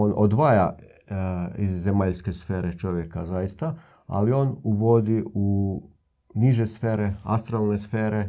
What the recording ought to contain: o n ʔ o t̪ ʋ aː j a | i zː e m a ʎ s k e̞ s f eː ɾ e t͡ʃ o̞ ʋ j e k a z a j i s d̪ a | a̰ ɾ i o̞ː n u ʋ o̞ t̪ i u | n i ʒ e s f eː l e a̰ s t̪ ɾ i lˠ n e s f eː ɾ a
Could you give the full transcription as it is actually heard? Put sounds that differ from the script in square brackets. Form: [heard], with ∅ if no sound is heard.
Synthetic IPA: o n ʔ o [d̪] ʋ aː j a | i zː e m a ʎ s k e̞ s f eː ɾ e t͡ʃ o̞ ʋ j e k a z a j i s [t̪] a | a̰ [l] i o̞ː n u ʋ o̞ [d̪] i u | n i ʒ e s f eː [ɾ] e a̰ s t̪ ɾ [a] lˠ n e s f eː ɾ [e]